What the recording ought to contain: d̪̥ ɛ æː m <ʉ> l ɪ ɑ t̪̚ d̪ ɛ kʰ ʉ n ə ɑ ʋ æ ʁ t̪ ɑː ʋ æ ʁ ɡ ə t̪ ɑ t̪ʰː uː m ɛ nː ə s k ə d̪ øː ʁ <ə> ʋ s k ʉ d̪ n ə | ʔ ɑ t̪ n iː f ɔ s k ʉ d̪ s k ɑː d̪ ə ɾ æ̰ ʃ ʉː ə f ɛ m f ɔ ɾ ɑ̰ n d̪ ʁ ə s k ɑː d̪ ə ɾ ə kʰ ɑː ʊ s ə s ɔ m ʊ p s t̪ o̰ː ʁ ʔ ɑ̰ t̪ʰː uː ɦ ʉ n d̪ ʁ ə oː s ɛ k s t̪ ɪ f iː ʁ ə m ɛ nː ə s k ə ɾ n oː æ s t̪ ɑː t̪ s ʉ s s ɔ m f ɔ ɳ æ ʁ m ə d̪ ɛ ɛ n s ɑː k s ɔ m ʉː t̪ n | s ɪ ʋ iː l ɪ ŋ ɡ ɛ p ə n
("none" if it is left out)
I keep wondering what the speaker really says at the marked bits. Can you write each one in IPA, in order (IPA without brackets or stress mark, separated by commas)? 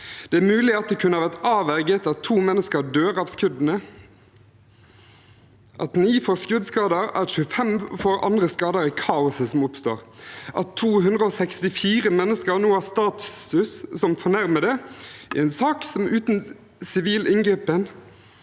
ʉː, ɑ